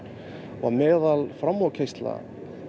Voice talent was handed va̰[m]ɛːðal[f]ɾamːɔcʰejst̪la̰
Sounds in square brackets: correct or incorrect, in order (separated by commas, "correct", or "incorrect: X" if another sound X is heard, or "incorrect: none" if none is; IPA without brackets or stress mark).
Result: correct, correct